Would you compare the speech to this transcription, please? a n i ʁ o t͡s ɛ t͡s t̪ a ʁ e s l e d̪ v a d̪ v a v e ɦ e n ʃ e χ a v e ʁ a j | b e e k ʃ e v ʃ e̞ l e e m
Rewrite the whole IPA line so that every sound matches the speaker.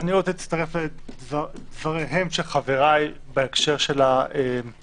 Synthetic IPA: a n i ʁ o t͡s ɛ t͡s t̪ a ʁ e f l e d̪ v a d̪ v a ʁ e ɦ e m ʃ e χ a v e ʁ a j | b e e k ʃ e ʁ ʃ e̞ l a e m